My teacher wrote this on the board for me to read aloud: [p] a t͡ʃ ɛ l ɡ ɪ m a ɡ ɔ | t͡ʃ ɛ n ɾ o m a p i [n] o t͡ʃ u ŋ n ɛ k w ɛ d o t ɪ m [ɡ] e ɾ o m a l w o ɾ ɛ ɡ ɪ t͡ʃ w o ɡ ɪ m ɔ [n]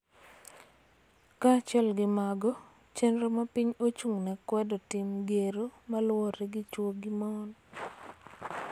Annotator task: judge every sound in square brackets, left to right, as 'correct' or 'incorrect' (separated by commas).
incorrect, incorrect, correct, correct